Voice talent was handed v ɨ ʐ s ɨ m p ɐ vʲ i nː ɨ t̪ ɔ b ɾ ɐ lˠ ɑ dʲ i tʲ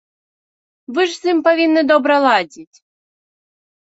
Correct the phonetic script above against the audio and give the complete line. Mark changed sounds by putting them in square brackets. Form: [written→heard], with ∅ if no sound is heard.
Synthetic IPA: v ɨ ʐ s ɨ m p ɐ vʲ i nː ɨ [t̪→d̪] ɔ b ɾ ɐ lˠ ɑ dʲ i tʲ